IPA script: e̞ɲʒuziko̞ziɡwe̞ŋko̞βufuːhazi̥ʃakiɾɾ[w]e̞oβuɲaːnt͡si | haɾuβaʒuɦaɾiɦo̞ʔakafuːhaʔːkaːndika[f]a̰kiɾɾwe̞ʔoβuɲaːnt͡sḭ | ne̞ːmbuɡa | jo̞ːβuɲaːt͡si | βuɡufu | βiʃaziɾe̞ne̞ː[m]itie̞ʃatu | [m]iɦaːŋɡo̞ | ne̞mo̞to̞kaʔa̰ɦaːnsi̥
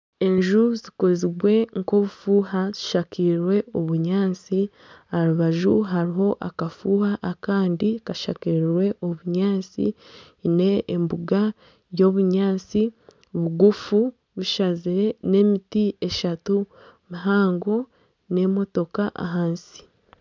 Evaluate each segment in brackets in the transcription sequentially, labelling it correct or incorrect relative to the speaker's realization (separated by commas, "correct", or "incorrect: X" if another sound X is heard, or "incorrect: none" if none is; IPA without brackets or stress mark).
correct, incorrect: ʃ, correct, correct